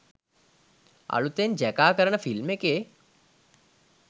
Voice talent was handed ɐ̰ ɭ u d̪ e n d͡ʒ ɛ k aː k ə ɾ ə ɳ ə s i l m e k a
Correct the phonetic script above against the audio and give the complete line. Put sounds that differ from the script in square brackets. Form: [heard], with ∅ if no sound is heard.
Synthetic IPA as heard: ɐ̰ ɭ u [t̪] e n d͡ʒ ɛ k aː k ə ɾ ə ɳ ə [f] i l m e k [e]